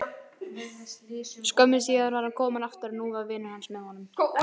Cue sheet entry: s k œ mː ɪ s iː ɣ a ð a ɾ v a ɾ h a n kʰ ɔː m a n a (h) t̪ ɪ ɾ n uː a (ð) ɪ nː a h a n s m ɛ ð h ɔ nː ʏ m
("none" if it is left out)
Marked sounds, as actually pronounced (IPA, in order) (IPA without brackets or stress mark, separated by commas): f, v